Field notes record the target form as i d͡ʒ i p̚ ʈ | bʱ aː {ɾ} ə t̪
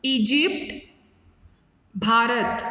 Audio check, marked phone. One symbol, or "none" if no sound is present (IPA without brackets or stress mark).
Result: ɾ